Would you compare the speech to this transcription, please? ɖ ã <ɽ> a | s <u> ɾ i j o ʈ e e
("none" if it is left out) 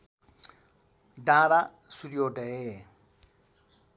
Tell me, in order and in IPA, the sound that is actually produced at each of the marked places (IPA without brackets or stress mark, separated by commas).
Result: ɾ, u